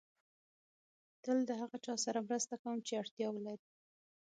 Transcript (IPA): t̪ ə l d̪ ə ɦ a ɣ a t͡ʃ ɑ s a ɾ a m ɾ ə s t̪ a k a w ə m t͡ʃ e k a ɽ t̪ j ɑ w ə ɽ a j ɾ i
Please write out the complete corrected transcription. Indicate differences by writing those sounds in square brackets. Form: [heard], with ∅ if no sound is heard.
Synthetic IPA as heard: t̪ ə l d̪ ə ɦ a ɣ a t͡ʃ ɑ s a ɾ a m ɾ ə s t̪ a k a w ə m t͡ʃ e [∅] a ɽ t̪ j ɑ w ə [l] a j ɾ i